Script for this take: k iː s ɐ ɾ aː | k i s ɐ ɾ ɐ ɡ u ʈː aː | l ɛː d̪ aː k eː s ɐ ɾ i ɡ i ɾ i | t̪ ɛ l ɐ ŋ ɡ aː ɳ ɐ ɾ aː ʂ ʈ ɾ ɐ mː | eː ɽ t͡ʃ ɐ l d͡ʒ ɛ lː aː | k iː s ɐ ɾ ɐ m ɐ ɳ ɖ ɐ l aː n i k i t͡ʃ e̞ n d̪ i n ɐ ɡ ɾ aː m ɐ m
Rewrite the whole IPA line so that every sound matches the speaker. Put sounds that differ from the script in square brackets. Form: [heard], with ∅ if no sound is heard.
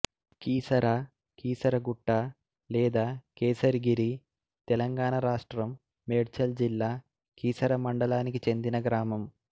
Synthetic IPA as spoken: k iː s ɐ ɾ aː | k [iː] s ɐ ɾ ɐ ɡ u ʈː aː | l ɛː d̪ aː k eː s ɐ ɾ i ɡ i ɾ i | t̪ ɛ l ɐ ŋ ɡ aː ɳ ɐ ɾ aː ʂ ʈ ɾ ɐ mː | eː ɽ t͡ʃ ɐ l d͡ʒ [i] lː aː | k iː s ɐ ɾ ɐ m ɐ ɳ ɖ ɐ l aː n i k i t͡ʃ e̞ n d̪ i n ɐ ɡ ɾ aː m ɐ m

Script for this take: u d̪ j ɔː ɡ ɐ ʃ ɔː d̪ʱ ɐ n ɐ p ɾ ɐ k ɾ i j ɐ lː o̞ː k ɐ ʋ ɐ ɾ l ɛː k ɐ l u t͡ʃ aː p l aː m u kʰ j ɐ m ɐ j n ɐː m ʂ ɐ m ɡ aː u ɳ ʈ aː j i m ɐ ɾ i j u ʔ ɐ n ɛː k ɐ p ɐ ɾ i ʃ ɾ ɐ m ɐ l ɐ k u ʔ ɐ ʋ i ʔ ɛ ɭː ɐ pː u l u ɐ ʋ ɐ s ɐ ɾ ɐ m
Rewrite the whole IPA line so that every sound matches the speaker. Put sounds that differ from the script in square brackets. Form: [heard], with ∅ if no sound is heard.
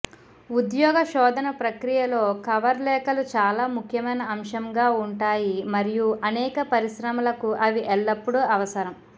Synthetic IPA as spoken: u d̪ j ɔː ɡ ɐ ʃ ɔː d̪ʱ ɐ n ɐ p ɾ ɐ k ɾ i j ɐ [l] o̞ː k ɐ ʋ ɐ ɾ l ɛː k ɐ l u t͡ʃ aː [∅] l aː m u kʰ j ɐ m ɐ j n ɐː m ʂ ɐ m ɡ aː u ɳ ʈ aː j i m ɐ ɾ i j u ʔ ɐ n ɛː k ɐ p ɐ ɾ i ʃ ɾ ɐ m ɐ l ɐ k u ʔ ɐ ʋ i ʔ ɛ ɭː ɐ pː u [ɽ] u ɐ ʋ ɐ s ɐ ɾ ɐ m

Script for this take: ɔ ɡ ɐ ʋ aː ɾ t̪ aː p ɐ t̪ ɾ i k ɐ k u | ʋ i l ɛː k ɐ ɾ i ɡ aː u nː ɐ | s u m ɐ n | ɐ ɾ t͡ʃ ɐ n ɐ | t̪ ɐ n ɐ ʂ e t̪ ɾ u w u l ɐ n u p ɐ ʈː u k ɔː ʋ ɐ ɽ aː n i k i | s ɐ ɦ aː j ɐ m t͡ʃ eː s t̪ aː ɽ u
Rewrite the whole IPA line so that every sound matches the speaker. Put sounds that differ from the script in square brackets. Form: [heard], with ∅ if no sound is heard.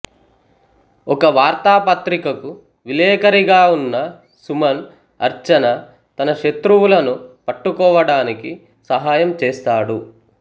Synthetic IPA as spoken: ɔ [k] ɐ ʋ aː ɾ t̪ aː p ɐ t̪ ɾ i k ɐ k u | ʋ i l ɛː k ɐ ɾ i ɡ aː u nː ɐ | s u m ɐ n | ɐ ɾ t͡ʃ ɐ n ɐ | t̪ ɐ n ɐ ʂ e t̪ ɾ u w u l ɐ n u p ɐ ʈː u k ɔː ʋ ɐ ɽ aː n i k i | s ɐ ɦ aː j ɐ m t͡ʃ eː s t̪ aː ɽ u

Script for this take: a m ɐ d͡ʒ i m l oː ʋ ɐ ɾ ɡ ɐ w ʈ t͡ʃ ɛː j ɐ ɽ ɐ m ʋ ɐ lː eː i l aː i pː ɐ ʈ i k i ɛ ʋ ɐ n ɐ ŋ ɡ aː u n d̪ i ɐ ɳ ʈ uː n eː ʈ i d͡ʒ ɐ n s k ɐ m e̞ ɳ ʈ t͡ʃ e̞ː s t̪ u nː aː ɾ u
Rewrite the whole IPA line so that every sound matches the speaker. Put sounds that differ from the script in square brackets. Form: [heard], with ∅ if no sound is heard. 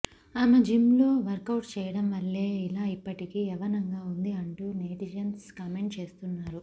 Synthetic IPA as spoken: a m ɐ d͡ʒ i m l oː ʋ ɐ ɾ [k] ɐ w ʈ t͡ʃ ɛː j ɐ ɽ ɐ m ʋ ɐ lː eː i l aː i pː ɐ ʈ i k i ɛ ʋ ɐ n ɐ ŋ ɡ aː u n d̪ i ɐ ɳ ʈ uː n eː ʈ i d͡ʒ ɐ n s k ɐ m e̞ ɳ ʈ t͡ʃ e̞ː s t̪ u nː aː ɾ u

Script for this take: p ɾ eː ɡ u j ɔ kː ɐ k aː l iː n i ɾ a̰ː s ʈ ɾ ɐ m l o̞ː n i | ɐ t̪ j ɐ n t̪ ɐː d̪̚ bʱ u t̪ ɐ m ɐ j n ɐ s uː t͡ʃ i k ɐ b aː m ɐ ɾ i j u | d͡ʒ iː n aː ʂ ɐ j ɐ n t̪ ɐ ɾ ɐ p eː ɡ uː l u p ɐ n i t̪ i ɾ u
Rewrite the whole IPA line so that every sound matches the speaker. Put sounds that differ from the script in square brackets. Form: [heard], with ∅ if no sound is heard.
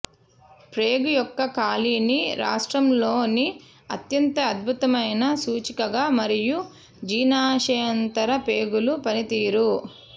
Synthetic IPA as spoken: p ɾ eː ɡ u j ɔ kː ɐ k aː l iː n i ɾ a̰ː [ʂ] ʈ ɾ ɐ m l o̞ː n i | ɐ t̪ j ɐ n t̪ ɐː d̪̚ bʱ u t̪ ɐ m ɐ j n ɐ s uː t͡ʃ i k ɐ [ɡ] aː m ɐ ɾ i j u | d͡ʒ iː n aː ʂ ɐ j ɐ n t̪ ɐ ɾ ɐ p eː ɡ [u] l u p ɐ n i t̪ [iː] ɾ u

